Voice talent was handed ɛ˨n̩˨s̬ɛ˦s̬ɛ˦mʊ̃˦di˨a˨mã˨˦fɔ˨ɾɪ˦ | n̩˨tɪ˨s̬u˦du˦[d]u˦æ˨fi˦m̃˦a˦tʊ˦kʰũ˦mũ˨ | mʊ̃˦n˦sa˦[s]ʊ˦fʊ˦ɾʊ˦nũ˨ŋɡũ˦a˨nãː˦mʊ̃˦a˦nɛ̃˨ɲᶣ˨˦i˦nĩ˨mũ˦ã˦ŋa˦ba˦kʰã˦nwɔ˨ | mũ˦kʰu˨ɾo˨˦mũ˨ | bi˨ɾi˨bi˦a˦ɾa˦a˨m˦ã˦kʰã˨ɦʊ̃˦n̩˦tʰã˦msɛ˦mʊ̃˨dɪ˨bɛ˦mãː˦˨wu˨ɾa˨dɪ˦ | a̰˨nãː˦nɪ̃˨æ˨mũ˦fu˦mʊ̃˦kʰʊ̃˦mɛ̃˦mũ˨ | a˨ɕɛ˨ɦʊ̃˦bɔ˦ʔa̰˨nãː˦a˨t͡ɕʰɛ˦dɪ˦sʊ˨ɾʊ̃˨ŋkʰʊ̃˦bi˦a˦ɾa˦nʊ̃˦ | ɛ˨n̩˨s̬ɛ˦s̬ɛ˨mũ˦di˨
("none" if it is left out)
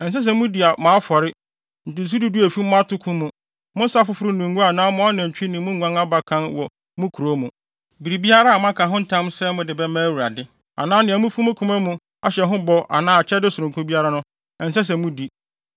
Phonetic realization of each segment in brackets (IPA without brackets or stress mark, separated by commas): d, f